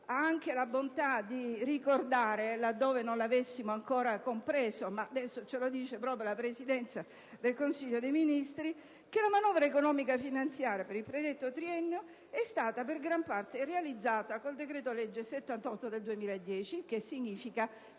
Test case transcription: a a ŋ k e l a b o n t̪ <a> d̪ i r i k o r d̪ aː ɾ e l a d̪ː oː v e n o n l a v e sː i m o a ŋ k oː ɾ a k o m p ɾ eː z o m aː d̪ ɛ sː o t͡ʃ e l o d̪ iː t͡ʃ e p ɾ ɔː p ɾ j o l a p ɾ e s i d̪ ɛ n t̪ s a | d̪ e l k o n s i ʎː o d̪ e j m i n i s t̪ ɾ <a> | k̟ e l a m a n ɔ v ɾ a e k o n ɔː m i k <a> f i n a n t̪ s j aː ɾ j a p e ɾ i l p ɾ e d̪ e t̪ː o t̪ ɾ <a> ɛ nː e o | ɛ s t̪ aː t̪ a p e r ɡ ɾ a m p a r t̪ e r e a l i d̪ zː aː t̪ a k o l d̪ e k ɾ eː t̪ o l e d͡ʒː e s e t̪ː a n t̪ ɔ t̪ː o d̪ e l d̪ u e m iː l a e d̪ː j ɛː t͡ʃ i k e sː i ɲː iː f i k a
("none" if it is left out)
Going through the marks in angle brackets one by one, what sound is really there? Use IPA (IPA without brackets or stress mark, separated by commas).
a, i, a, i